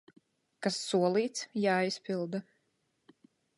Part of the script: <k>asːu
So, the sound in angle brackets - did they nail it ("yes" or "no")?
yes